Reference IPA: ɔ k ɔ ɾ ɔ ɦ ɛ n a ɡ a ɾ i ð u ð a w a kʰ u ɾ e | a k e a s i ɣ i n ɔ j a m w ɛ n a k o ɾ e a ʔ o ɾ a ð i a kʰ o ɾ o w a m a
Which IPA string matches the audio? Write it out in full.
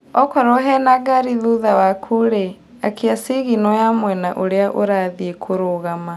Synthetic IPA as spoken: ɔ k ɔ ɾ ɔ ɦ ɛ n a ɡ a ɾ i ð u ð a w a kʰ u ɾ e | a k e a s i ɣ i n ɔ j a m w ɛ n a ʔ o ɾ e a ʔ o ɾ a ð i e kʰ o ɾ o ɣ a m a